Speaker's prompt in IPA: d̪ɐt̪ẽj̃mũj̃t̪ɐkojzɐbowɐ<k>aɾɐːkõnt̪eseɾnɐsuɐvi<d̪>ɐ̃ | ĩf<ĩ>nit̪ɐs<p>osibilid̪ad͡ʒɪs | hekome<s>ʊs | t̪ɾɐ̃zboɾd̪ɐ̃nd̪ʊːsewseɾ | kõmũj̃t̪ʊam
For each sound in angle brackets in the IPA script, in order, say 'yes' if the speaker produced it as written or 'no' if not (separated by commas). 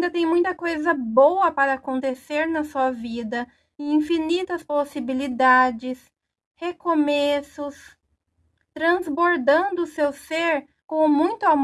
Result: no, yes, no, yes, yes